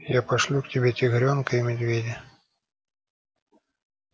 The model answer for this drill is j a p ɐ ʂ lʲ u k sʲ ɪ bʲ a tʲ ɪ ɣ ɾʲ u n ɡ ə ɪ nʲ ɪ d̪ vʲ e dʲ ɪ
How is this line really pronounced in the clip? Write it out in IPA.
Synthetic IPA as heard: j a p ɐ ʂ lʲ u k tʲ ɪ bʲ e tʲ ɪ ɣ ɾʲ o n k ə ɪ mʲ ɪ d̪ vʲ e dʲ ɪ